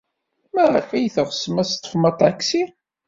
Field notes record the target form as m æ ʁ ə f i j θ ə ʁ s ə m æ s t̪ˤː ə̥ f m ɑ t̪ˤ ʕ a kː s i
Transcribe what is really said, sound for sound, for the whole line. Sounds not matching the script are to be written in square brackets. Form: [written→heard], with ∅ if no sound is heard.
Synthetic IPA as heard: m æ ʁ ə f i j θ ə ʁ s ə m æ s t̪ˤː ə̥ f m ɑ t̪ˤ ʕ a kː s i